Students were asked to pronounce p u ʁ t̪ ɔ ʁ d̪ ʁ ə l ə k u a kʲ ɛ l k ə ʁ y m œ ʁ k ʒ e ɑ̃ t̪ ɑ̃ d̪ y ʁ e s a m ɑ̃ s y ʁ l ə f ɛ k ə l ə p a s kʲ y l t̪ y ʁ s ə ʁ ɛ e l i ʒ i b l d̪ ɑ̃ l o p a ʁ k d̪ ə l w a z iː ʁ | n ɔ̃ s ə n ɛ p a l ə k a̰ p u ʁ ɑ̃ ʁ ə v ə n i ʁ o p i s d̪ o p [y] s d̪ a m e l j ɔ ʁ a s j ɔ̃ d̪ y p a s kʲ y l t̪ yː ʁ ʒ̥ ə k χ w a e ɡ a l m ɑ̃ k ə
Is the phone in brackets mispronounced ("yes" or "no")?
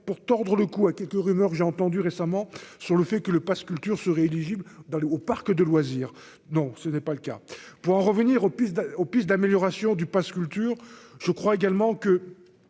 yes